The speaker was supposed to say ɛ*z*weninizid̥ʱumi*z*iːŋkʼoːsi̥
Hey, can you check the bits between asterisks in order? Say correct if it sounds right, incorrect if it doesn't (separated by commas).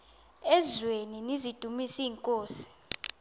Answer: correct, incorrect